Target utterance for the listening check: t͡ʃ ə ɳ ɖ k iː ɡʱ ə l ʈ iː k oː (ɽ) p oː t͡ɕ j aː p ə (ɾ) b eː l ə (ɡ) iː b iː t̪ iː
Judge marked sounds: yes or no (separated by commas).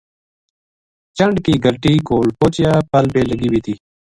no, no, yes